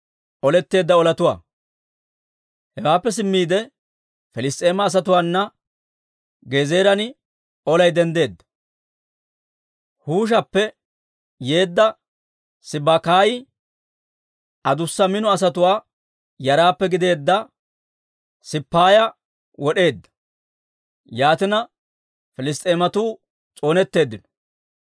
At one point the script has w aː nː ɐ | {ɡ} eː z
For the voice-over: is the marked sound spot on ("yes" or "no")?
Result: yes